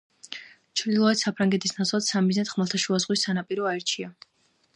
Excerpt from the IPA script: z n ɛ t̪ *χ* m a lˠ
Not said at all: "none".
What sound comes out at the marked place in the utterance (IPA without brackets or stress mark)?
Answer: χ